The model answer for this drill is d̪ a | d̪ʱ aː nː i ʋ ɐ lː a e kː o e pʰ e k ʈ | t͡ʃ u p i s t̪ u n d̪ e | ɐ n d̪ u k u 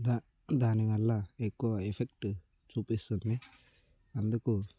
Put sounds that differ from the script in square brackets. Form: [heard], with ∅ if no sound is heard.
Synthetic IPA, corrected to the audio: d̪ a | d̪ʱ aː [n] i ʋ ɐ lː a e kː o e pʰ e k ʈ | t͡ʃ u p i s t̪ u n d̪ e | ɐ n d̪ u k u

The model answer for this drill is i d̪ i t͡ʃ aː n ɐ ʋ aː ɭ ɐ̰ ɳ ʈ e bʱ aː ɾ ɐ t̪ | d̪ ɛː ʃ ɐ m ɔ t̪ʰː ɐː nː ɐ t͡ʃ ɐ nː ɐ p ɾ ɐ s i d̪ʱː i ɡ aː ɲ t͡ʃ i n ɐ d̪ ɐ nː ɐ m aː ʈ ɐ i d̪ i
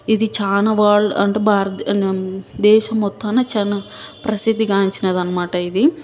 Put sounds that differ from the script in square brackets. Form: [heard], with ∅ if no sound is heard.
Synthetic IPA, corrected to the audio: i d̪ i t͡ʃ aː n ɐ ʋ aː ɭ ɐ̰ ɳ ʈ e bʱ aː ɾ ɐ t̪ | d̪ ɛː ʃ ɐ m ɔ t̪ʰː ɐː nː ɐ t͡ʃ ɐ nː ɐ p ɾ ɐ s i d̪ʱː i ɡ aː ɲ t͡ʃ i n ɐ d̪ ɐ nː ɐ m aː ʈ ɐ i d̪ i

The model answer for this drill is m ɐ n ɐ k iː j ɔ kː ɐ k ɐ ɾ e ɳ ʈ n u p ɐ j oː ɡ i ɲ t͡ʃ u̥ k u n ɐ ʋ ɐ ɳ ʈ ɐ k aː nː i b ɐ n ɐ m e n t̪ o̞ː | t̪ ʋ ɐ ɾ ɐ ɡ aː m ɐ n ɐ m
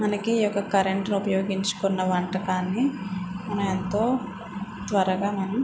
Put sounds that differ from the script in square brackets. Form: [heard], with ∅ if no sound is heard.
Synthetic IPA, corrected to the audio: m ɐ n ɐ k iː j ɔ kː ɐ k ɐ ɾ e ɳ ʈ n u p ɐ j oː ɡ i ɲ t͡ʃ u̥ k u [nː] ɐ ʋ ɐ ɳ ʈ ɐ k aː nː i [m] ɐ n ɐ m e n t̪ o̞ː | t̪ ʋ ɐ ɾ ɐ ɡ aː m ɐ n ɐ m

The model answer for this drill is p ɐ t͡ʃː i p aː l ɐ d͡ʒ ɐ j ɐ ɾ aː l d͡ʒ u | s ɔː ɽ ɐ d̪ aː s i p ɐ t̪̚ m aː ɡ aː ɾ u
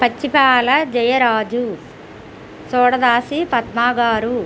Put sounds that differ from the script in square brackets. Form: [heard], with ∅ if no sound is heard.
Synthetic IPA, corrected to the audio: p ɐ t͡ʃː i p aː l ɐ d͡ʒ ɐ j ɐ ɾ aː [∅] d͡ʒ u | s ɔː ɽ ɐ d̪ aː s i p ɐ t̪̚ m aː ɡ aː ɾ u

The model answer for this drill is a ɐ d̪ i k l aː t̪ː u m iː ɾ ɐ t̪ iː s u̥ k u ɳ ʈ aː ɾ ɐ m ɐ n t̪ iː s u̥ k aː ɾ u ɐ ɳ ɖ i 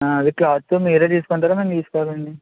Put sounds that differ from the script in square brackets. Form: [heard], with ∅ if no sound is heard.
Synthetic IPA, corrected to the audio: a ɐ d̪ i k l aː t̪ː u m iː ɾ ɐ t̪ iː s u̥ k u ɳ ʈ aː ɾ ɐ m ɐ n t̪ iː s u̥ k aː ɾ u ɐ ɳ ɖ i

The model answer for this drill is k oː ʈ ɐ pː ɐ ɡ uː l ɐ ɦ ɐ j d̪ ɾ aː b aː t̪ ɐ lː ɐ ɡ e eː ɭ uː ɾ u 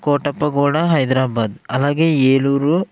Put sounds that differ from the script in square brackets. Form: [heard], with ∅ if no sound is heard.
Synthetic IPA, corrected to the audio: k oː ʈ ɐ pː ɐ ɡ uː [ɽ] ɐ ɦ ɐ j d̪ ɾ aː b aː [d̪] ɐ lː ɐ ɡ e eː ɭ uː ɾ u

